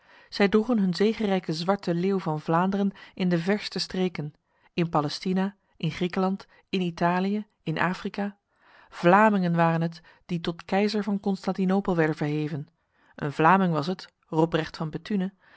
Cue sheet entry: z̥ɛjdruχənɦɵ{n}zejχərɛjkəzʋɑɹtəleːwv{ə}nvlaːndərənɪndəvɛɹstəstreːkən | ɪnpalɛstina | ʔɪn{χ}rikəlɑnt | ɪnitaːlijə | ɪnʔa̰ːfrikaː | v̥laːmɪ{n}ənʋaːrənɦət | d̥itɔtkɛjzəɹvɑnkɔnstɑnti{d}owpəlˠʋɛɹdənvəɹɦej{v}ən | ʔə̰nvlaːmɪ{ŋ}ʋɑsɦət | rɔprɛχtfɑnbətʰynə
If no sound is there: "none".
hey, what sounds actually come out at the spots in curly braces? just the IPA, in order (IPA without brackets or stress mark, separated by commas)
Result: n, ɑ, χ, ŋ, n, v, ŋ